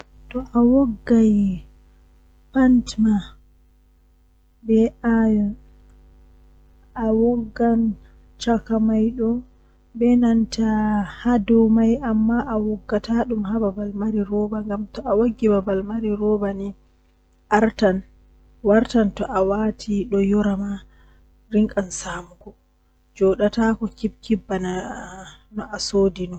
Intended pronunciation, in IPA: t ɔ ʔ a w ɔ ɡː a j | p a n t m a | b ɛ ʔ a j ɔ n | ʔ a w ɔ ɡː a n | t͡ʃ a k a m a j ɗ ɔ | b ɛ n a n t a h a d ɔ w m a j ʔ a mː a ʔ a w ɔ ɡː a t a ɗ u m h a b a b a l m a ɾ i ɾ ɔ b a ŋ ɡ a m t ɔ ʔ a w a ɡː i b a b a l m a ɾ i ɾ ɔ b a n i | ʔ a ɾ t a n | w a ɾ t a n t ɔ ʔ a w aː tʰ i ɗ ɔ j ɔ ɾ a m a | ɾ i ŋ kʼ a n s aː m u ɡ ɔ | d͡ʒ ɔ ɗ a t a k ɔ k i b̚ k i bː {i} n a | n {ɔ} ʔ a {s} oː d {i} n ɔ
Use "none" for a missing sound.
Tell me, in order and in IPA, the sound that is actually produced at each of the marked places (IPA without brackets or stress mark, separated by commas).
a, ɔ, s, i